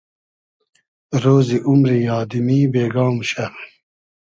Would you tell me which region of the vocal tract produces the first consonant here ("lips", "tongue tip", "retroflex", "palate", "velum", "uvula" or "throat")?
tongue tip